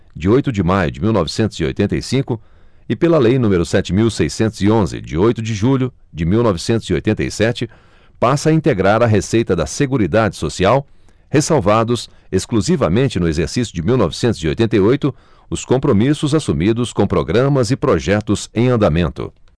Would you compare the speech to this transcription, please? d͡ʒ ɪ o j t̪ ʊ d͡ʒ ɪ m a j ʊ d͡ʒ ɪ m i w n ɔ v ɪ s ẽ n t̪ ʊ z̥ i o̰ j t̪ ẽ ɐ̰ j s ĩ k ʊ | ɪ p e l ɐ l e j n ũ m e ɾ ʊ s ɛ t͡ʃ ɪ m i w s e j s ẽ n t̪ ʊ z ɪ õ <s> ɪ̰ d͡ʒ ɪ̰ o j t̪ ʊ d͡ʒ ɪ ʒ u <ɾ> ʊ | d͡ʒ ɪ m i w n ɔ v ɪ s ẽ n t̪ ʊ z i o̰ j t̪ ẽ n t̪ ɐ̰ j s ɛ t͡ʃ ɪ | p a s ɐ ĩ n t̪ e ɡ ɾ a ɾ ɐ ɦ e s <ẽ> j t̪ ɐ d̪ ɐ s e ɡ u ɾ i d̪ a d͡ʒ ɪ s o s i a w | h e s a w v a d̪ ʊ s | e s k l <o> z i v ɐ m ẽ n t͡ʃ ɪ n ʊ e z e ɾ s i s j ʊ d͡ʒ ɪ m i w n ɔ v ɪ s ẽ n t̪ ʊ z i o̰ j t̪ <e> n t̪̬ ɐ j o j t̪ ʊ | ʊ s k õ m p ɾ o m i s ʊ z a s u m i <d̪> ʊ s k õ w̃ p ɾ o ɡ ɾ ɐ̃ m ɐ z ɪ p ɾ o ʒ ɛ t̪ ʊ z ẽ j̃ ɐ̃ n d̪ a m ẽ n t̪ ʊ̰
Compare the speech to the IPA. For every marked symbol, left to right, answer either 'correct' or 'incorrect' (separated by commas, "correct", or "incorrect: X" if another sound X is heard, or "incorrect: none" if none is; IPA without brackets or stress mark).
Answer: incorrect: z, incorrect: ʎ, incorrect: e, incorrect: u, incorrect: ẽ, correct